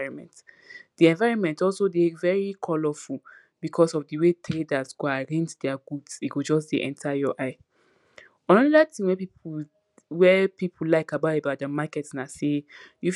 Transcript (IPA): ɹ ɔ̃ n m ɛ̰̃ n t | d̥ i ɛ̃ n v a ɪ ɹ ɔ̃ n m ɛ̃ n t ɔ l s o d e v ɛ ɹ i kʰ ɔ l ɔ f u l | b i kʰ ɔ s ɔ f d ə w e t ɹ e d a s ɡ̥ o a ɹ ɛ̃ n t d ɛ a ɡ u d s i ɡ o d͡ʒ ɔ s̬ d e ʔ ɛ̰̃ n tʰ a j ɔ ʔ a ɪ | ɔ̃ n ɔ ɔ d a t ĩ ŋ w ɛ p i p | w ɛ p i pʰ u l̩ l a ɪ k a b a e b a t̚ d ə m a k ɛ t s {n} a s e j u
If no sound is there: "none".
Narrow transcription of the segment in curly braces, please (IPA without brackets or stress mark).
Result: n